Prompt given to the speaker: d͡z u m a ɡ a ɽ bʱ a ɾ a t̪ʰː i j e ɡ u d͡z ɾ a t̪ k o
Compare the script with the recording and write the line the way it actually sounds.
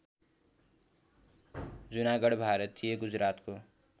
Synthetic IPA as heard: d͡z u n a ɡ ʌ ɽ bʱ a ɾ ʌ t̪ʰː i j e ɡ u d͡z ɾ a t̪ k o